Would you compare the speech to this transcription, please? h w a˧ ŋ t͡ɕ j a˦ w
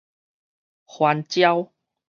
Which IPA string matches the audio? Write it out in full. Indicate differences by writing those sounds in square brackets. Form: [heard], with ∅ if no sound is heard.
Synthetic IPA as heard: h w a˧ [n] t͡ɕ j a˦ w

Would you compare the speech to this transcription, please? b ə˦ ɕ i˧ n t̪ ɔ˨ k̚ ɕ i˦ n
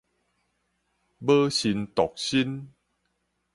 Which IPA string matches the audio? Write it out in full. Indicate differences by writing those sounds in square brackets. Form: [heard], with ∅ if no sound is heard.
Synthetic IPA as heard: b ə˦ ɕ i˧ n t̪ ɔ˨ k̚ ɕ i˦ n

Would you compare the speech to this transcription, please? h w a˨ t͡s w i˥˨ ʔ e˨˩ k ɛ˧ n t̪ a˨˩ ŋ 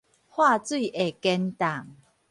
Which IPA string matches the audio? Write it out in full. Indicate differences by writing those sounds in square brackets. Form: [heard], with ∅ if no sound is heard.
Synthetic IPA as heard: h w [a˥˧] t͡s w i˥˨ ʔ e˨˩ k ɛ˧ n t̪ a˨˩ ŋ

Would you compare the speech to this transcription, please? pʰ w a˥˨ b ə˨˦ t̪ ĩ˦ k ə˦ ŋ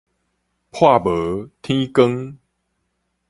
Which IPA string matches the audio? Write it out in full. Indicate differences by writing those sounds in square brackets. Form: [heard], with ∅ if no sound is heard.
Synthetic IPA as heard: pʰ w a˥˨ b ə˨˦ [t̪ʰ] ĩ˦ k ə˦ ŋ

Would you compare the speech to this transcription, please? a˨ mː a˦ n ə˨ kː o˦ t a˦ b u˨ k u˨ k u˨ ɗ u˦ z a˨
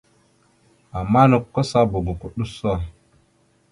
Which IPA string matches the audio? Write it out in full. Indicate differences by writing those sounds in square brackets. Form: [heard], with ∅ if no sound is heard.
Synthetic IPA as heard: a˨ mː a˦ n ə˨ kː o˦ [s] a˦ b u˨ [ɡ] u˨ k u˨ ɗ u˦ [s] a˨

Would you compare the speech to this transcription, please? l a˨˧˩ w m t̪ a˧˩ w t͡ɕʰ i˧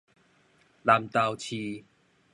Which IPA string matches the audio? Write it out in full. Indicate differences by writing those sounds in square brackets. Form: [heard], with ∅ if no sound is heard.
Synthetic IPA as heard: l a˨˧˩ [∅] m t̪ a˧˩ w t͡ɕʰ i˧

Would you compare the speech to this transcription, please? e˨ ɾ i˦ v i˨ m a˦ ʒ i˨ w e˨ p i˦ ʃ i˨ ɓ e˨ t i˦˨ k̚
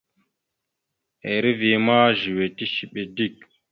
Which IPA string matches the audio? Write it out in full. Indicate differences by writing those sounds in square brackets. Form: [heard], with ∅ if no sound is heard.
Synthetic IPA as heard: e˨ ɾ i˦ v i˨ m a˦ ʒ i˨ w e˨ [t] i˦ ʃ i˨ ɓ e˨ [d] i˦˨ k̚

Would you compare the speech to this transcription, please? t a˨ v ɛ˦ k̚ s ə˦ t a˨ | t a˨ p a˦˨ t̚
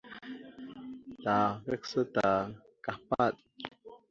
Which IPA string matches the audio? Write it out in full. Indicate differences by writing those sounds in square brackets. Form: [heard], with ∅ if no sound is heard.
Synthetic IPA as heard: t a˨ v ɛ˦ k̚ s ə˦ t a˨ | [k] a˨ p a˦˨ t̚

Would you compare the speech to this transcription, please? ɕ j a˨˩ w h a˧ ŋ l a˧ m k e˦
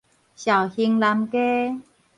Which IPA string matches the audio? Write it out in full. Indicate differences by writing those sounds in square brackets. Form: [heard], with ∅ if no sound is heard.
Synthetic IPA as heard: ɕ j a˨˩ w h [i˧] ŋ l a˧ m k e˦

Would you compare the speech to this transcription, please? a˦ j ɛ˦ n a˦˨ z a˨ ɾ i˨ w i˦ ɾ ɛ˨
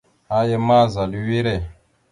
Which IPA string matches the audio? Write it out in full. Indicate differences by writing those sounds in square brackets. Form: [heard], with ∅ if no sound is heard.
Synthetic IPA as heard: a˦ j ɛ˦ [m] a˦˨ z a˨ [l] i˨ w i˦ ɾ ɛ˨

